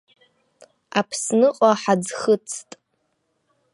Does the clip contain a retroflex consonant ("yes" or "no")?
no